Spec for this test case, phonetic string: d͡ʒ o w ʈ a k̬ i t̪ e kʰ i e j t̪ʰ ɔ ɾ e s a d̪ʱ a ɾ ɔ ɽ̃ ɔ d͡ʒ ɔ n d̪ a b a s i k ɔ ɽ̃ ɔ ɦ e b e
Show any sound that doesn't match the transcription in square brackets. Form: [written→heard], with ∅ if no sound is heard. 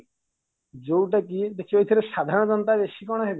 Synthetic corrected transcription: d͡ʒ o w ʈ a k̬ i [t̪→d̪] e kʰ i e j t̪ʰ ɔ ɾ e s a d̪ʱ a ɾ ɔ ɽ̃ ɔ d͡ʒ ɔ n [d̪→t̪] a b [a→e] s i k ɔ ɽ̃ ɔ ɦ e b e